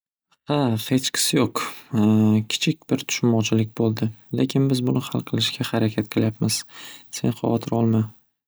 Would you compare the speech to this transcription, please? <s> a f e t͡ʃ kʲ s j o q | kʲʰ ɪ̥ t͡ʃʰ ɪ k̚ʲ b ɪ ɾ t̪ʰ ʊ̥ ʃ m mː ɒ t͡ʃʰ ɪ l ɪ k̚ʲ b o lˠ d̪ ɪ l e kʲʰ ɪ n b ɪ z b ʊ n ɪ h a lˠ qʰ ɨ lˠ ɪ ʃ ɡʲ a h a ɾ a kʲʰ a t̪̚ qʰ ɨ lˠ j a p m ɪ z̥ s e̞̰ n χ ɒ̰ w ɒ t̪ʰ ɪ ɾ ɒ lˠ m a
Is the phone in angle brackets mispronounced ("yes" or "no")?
yes